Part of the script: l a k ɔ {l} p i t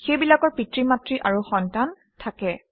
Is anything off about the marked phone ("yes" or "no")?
yes